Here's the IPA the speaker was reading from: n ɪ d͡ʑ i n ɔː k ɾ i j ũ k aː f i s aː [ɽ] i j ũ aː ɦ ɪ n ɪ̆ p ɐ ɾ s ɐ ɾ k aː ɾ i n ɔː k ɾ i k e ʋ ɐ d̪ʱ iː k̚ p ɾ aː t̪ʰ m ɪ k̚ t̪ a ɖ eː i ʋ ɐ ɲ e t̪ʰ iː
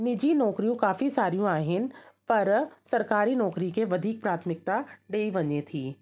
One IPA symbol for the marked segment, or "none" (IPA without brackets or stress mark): ɾ